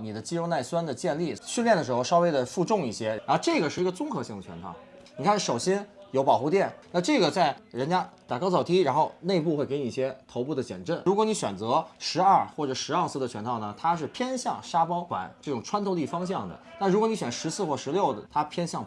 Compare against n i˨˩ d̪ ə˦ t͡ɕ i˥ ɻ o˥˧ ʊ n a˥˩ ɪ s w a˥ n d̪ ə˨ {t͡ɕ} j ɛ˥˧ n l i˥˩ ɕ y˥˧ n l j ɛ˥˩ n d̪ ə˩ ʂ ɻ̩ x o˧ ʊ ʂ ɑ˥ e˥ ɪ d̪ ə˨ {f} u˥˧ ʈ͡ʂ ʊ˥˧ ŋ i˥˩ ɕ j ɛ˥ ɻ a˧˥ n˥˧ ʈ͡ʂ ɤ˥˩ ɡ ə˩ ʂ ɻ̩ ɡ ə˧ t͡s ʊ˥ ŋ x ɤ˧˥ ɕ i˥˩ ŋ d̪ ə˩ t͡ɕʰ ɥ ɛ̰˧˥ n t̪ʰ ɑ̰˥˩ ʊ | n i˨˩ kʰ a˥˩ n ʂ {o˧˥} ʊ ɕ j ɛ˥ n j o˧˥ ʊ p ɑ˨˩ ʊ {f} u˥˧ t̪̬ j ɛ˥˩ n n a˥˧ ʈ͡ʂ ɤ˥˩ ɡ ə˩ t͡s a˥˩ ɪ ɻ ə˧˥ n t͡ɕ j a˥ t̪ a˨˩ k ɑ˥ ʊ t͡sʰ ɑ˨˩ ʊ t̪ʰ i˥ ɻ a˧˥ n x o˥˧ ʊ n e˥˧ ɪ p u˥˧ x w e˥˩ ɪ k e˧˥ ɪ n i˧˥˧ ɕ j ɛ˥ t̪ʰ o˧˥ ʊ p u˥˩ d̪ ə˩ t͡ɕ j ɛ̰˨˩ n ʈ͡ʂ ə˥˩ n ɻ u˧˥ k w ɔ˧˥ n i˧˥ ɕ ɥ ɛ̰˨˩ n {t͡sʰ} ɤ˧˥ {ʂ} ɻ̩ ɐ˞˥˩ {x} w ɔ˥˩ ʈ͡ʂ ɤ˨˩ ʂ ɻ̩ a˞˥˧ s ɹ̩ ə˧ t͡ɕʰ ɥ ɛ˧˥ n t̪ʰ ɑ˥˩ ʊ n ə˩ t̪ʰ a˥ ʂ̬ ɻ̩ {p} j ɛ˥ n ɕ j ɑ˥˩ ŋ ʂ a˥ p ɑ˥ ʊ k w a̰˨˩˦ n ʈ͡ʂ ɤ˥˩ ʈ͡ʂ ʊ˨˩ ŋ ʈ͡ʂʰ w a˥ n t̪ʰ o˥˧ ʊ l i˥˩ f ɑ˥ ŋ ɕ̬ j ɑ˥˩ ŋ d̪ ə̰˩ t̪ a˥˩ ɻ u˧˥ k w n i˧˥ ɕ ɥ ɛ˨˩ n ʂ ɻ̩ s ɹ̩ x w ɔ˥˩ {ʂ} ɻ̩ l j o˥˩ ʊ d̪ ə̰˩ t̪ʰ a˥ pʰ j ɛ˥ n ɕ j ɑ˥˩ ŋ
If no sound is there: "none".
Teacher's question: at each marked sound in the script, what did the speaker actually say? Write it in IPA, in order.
t͡ɕ, f, o˨˩, x, t͡s, ʂ, x, pʰ, ʂ

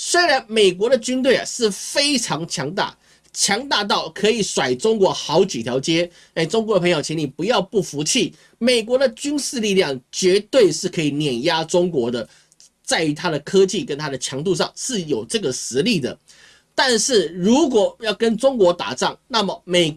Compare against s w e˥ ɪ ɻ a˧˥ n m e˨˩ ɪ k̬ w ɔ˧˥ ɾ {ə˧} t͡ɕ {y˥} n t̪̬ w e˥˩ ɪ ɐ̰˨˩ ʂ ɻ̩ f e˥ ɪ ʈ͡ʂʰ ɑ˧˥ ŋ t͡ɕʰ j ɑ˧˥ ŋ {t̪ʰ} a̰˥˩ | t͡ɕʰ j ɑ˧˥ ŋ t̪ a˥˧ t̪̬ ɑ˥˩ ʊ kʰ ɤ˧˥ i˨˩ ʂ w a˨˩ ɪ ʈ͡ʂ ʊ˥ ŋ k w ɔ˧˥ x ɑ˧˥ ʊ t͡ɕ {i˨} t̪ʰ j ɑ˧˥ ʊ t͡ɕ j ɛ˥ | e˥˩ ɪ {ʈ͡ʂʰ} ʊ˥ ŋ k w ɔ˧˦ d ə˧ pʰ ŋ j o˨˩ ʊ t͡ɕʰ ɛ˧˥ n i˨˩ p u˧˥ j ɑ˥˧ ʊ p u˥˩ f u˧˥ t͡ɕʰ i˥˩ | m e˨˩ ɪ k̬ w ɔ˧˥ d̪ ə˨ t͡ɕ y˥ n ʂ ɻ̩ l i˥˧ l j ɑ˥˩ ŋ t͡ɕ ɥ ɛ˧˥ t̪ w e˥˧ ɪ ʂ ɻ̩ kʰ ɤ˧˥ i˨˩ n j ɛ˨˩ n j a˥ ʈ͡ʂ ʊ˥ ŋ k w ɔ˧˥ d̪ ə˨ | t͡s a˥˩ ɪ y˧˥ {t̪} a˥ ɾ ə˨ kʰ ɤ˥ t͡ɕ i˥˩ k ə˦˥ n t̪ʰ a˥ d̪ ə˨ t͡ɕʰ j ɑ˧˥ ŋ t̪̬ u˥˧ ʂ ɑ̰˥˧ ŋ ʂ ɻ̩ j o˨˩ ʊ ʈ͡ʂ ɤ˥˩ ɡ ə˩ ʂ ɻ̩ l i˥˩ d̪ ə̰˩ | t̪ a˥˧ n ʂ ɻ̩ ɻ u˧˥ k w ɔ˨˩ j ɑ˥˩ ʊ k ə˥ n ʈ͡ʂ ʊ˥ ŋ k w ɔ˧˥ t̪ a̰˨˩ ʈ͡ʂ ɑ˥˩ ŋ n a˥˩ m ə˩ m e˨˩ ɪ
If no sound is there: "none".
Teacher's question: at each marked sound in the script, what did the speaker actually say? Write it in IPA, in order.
ə˧, y˥, t̪, i˨, ʈ͡ʂ, t̪ʰ

